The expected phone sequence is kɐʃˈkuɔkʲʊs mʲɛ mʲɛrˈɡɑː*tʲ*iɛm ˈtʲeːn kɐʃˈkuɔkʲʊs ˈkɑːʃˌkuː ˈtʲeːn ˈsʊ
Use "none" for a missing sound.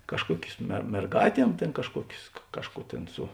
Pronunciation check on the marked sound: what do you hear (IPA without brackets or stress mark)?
tʲ